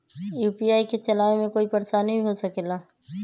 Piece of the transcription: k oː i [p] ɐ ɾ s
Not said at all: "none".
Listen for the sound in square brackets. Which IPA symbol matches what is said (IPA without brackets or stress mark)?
p